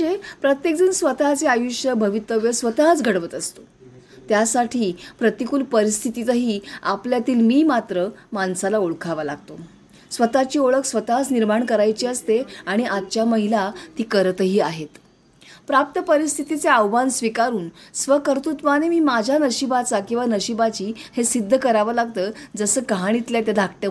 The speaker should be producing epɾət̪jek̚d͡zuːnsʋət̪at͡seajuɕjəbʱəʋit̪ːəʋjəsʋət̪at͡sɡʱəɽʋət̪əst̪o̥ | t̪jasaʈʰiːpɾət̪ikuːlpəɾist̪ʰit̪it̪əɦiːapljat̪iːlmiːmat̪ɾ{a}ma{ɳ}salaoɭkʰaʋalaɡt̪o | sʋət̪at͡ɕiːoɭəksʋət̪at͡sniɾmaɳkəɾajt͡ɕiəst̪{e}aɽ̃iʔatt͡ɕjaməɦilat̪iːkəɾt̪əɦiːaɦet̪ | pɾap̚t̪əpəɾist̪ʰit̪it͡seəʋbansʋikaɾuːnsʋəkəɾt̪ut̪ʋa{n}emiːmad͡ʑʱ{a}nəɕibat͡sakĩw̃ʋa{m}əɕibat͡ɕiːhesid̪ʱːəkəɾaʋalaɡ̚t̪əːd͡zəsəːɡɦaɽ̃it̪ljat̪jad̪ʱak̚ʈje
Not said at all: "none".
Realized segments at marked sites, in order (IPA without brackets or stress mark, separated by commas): ə, n, e, n, a, n